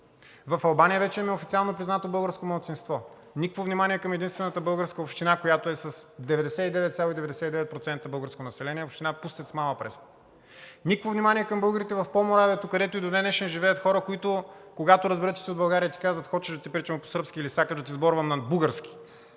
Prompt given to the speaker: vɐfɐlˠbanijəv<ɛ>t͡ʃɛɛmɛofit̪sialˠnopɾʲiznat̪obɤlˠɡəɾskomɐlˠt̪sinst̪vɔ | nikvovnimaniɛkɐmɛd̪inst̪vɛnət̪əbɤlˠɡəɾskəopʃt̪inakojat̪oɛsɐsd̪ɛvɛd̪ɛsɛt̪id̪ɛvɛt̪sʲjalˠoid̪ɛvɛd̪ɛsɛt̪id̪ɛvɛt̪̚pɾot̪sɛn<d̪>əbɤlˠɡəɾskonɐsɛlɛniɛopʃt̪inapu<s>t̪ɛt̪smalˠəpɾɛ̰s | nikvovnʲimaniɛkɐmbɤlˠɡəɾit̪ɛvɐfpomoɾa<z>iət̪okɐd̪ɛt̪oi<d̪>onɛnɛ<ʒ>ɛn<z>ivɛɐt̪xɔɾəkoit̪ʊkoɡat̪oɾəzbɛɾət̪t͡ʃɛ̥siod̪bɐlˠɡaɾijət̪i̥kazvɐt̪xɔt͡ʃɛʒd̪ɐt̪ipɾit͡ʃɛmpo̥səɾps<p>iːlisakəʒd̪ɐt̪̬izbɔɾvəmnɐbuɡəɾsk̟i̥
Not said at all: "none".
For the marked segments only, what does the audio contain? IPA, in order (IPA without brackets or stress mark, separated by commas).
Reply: ɛ, t̪, s, v, d̪, ʃ, ʒ, k